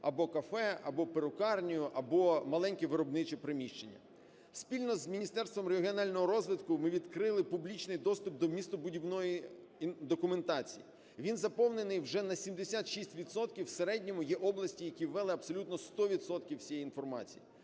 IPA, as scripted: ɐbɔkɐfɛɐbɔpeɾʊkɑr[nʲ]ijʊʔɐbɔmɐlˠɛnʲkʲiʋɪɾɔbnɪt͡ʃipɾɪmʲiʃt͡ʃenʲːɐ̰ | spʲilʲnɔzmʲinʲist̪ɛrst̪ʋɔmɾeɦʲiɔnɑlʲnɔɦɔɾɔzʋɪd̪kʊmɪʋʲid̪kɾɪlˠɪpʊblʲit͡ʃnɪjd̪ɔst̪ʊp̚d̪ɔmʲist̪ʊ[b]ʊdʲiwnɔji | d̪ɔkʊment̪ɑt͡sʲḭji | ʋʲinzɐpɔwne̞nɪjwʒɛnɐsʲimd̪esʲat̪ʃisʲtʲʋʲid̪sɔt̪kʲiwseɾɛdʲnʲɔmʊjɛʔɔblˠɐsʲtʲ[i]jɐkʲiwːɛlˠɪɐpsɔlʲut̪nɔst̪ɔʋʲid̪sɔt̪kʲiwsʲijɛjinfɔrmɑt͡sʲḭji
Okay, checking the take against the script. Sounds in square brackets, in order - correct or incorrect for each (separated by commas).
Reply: correct, correct, correct